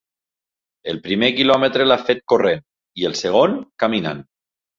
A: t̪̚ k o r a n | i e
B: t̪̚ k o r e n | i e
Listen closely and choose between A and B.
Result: B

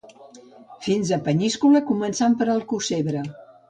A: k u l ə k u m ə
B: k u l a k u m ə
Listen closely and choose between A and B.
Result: A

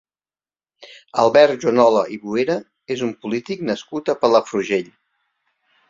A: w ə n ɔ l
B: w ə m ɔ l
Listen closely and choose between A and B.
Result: A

